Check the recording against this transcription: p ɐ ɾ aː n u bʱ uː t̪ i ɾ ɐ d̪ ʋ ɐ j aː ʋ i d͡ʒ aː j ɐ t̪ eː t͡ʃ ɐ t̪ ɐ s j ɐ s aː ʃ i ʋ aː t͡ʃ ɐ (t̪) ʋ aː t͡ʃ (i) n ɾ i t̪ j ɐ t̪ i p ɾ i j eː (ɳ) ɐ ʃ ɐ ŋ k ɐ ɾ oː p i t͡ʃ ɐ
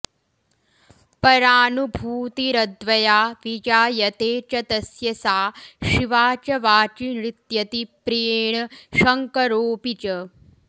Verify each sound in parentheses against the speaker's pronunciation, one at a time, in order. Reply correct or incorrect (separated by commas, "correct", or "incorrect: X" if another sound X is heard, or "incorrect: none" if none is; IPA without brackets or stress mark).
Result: incorrect: none, correct, correct